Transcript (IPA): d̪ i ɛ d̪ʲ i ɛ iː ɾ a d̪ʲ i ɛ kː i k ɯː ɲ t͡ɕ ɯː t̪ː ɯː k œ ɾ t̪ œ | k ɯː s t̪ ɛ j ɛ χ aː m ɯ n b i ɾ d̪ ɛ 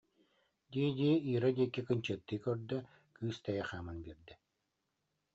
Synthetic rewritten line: d̪ i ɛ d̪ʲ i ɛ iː ɾ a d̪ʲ i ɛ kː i k ɯ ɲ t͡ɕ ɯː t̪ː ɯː k œ ɾ d̪ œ | k ɯː s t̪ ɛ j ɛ χ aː m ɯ n b i ɾ d̪ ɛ